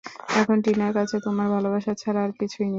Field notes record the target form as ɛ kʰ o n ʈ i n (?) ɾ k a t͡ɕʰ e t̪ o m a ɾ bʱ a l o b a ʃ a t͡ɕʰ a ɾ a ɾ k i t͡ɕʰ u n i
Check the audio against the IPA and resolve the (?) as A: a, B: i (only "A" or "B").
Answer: A